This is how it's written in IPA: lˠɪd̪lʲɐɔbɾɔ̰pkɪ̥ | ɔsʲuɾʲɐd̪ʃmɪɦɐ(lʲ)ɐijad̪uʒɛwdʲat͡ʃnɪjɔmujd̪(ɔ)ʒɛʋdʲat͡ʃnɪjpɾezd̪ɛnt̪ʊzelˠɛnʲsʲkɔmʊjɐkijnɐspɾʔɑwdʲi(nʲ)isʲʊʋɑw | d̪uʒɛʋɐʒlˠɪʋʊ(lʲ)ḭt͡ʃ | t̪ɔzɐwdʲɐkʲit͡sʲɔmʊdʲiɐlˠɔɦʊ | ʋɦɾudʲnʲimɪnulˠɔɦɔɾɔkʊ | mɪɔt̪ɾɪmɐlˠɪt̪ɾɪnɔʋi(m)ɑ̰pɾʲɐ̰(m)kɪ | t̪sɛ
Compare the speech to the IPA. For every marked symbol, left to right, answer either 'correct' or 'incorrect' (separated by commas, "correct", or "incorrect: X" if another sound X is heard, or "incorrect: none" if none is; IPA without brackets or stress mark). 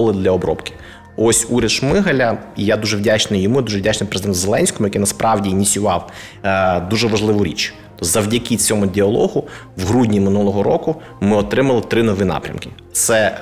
correct, incorrect: u, correct, incorrect: ɾʲ, incorrect: n, correct